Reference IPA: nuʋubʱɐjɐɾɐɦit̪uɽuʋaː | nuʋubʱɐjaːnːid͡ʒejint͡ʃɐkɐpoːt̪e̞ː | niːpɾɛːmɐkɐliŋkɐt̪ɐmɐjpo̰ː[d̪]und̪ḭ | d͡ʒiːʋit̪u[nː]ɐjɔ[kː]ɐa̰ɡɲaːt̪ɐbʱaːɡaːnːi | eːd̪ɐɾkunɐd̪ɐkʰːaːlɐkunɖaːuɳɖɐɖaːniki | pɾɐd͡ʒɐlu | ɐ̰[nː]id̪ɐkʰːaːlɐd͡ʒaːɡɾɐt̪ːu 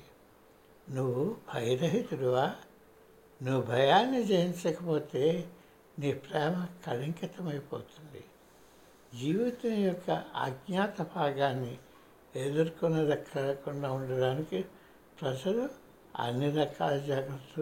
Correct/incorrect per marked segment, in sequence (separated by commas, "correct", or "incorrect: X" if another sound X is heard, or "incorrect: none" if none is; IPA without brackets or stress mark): incorrect: t̪, incorrect: n, correct, correct